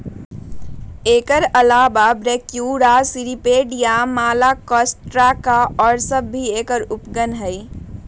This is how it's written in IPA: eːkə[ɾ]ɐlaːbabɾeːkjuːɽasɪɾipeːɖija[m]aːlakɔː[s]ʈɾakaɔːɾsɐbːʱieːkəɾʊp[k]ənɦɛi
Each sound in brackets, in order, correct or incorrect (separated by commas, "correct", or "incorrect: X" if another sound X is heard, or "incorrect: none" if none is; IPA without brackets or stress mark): correct, correct, correct, incorrect: ɡ